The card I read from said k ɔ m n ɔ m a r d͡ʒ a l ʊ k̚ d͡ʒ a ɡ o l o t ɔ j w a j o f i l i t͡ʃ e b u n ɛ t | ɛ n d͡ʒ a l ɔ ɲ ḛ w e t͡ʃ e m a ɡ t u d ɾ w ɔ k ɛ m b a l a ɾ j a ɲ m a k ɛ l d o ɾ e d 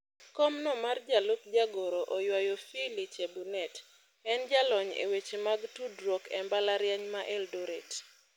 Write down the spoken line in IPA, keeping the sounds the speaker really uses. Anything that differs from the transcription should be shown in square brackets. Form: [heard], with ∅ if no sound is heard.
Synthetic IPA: k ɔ m n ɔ m a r d͡ʒ a l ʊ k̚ d͡ʒ a ɡ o [ɾ] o [ʔ] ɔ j w a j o f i l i t͡ʃ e b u n ɛ t | ɛ n d͡ʒ a l ɔ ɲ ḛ w e t͡ʃ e m a ɡ t u d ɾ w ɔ k ɛ m b a l a ɾ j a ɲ m a [ʔ] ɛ l d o ɾ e [t]